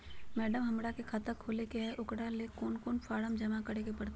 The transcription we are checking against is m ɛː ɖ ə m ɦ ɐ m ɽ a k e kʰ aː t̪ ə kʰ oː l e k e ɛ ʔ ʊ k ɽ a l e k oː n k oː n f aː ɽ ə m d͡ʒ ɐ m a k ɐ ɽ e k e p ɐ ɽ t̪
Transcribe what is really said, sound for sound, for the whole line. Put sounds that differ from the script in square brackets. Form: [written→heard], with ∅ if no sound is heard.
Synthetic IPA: m ɛː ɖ ə m ɦ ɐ m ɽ a k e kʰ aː t̪ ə kʰ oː l e k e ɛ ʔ ʊ k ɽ a l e k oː n k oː n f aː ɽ ə m d͡ʒ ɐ m a k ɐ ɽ e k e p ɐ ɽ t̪